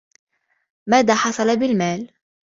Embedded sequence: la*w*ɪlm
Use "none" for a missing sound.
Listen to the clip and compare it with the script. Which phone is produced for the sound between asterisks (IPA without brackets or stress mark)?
b